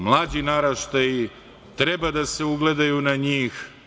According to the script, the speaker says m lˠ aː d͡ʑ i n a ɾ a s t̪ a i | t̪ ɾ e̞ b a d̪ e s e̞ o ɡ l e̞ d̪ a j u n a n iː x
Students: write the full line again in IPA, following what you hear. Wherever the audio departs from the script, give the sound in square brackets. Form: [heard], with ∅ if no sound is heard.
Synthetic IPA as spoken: m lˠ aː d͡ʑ i n a ɾ a [ʃ] t̪ a i | t̪ ɾ e̞ b a d̪ [a] s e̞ [u] ɡ l e̞ d̪ a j u n a [ɲ] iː x